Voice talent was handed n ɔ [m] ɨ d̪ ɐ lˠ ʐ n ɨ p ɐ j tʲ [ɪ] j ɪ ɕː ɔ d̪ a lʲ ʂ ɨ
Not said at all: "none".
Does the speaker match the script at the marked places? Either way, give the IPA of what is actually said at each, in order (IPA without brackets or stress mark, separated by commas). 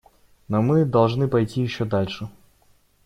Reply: m, i